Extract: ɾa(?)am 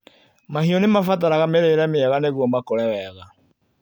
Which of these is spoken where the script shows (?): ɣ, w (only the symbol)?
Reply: ɣ